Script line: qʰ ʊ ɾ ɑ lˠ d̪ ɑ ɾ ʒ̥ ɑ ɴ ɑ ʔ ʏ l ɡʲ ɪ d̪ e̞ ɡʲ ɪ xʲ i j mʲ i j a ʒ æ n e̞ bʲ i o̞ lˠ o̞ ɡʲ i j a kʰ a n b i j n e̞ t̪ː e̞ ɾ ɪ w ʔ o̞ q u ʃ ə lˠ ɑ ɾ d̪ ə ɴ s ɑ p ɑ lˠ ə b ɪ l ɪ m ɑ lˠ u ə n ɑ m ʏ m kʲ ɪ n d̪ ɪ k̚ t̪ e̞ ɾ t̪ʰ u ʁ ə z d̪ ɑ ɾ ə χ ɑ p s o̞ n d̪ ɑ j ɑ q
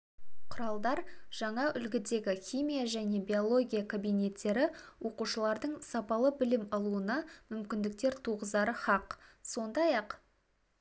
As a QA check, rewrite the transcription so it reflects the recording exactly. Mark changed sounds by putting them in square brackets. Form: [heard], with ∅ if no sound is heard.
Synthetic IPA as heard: qʰ ʊ ɾ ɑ lˠ d̪ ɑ ɾ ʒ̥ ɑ ɴ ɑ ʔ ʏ l ɡʲ ɪ d̪ e̞ ɡʲ ɪ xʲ i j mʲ i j a ʒ æ n e̞ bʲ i o̞ lˠ o̞ ɡʲ i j a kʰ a [∅] b i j n e̞ t̪ː e̞ ɾ ɪ w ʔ o̞ q u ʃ ə lˠ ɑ ɾ d̪ ə ɴ s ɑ p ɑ lˠ ə b ɪ l ɪ m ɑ lˠ u ə n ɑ m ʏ m kʲ ɪ n d̪ ɪ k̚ t̪ e̞ ɾ t̪ʰ u ʁ ə z d̪ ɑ ɾ ə χ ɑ [q] s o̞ n d̪ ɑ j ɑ q